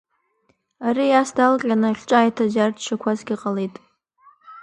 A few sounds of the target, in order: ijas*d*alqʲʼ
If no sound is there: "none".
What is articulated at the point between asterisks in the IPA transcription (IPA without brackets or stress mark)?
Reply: d